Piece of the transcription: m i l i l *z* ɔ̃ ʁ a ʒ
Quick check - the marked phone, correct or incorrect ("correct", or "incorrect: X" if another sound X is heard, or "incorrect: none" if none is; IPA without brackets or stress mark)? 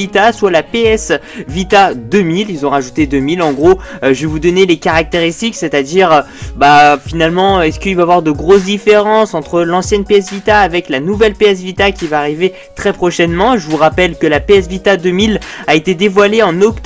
correct